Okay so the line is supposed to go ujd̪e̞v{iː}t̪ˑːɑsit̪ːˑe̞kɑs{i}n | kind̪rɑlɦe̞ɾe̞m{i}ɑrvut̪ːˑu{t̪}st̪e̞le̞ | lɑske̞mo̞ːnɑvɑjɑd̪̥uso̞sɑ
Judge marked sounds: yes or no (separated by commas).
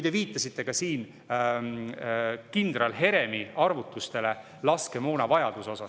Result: yes, no, yes, no